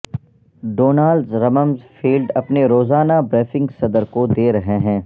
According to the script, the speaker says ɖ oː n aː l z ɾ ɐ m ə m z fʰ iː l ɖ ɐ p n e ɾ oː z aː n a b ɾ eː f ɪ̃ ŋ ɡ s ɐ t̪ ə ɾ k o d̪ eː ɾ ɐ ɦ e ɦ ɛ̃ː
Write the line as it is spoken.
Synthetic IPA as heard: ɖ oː n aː l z ɾ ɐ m ə m z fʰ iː l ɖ ɐ p n e ɾ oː z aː n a b ɾ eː f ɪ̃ ŋ ɡ s ɐ d̪ ə ɾ k o d̪ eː ɾ ɐ ɦ e ɦ ɛ̃ː